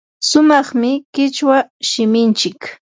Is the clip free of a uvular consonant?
no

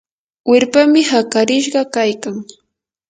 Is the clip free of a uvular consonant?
no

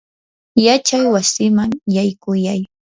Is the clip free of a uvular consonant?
yes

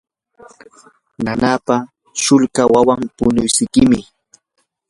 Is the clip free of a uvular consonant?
yes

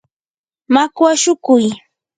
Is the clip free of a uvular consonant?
yes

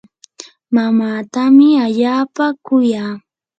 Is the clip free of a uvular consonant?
yes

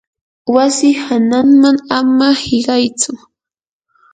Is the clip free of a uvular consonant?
no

